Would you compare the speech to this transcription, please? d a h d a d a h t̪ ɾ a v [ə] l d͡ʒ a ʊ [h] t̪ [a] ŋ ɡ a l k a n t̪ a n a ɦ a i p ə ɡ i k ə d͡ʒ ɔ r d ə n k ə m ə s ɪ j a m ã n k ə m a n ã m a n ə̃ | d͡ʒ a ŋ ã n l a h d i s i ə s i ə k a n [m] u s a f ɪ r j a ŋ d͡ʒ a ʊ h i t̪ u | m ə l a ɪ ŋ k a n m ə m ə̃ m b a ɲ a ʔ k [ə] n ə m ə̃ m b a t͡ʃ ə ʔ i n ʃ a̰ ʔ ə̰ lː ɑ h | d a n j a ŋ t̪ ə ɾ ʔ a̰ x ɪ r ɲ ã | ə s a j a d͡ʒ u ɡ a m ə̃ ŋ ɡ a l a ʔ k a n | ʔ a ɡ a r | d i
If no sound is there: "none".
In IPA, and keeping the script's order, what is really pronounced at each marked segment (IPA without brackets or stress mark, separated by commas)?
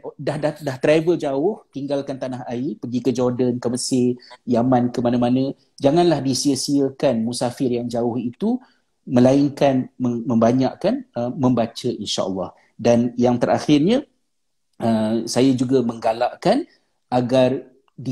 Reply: ə, h, i, m, a